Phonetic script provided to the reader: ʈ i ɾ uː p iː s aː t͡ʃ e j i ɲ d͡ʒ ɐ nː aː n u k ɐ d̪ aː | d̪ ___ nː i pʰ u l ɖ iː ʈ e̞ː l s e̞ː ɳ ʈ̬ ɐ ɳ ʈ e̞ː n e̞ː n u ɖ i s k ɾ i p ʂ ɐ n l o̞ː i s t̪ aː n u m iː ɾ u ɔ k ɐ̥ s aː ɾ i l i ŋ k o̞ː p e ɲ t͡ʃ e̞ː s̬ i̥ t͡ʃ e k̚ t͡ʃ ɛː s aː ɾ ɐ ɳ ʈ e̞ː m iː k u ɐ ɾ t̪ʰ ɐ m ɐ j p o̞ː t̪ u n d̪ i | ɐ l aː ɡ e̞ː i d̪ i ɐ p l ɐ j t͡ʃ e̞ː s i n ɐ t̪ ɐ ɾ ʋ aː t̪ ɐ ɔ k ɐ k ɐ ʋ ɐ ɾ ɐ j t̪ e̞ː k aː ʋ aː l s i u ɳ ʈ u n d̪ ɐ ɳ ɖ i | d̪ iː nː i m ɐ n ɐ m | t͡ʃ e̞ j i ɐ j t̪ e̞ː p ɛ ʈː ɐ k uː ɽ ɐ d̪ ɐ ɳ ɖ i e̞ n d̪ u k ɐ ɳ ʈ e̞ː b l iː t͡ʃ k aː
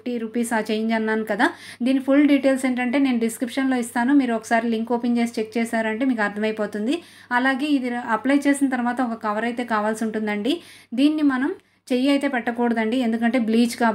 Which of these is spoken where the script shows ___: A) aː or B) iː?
B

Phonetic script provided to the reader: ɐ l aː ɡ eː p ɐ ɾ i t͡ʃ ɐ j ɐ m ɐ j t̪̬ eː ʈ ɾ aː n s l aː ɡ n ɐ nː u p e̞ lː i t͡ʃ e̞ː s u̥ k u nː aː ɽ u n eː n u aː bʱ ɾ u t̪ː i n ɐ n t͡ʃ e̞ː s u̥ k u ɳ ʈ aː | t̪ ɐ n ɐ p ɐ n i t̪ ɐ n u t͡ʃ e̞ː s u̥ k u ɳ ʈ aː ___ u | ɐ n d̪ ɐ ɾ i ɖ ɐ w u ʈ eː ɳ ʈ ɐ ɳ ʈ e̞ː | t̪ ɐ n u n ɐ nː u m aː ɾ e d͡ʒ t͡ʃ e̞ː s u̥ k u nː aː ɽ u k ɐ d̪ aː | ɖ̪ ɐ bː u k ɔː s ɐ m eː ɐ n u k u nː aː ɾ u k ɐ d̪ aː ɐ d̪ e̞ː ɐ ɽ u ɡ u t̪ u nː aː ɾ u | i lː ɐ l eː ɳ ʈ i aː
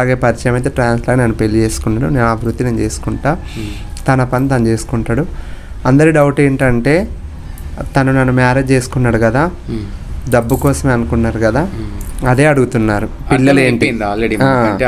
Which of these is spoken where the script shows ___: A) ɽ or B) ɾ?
A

